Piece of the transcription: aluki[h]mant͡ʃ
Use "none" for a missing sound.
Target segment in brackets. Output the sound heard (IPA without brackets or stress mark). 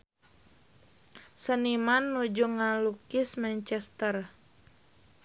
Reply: s